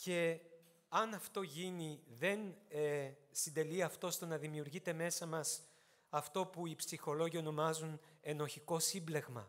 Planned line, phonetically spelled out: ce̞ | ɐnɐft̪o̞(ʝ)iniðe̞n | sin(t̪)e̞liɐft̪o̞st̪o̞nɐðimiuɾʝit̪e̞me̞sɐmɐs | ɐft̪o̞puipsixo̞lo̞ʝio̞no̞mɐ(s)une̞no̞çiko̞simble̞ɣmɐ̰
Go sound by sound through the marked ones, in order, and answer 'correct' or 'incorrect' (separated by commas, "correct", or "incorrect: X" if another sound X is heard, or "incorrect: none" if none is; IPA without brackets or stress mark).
correct, incorrect: d̪, incorrect: z